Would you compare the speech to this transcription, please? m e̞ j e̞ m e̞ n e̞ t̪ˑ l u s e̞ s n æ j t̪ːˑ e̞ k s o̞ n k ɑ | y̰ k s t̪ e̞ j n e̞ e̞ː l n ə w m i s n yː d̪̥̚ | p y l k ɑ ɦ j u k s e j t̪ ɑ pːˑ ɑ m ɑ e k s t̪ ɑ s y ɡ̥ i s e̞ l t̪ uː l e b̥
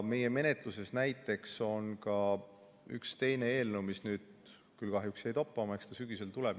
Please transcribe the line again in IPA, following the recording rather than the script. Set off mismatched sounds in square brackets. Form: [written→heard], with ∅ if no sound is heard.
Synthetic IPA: m e̞ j e̞ m e̞ n e̞ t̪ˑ l u s e̞ s n æ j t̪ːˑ e̞ k s o̞ n k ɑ | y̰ k s t̪ e̞ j n e̞ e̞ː l n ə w m i s n yː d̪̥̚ | [p→k] y l k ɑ ɦ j u k s e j t̪ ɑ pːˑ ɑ m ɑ e k s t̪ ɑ s y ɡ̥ i s e̞ l t̪ [uː→u] l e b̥

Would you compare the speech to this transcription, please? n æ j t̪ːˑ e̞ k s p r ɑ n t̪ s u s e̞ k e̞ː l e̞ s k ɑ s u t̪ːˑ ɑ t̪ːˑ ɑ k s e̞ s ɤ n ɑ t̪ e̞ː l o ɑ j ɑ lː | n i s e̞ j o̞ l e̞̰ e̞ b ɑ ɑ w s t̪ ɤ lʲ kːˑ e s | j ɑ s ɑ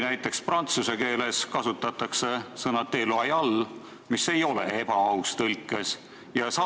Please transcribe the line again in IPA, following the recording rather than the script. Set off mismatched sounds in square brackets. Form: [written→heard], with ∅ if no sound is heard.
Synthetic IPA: n æ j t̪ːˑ e̞ k s p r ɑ n t̪ s u s e̞ k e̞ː l e̞ s k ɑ s u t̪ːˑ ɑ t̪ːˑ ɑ k s e̞ s ɤ n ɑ t̪ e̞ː l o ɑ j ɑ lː | [n→m] i s e̞ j o̞ l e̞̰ e̞ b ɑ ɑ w s t̪ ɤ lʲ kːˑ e s | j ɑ s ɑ

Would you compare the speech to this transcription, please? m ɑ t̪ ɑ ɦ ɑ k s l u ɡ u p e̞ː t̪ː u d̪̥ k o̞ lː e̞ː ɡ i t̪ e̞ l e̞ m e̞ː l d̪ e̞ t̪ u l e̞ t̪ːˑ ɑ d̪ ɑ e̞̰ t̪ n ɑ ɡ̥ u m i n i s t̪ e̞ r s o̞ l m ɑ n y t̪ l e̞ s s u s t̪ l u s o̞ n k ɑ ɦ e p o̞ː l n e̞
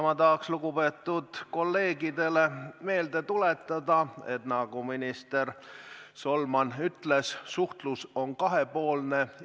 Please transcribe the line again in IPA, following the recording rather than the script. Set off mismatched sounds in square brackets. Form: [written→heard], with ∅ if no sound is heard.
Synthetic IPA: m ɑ t̪ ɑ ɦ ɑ k s l u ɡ u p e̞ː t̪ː u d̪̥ k o̞ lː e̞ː ɡ i [t̪→d̪] e̞ l e̞ m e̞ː l d̪ e̞ t̪ u l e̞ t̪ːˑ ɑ d̪ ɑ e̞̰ t̪ n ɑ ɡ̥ u m i n i s t̪ e̞ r s o̞ l m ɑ n y t̪ l e̞ s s u [s→h] t̪ l u s o̞ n k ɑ ɦ e p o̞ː l n e̞

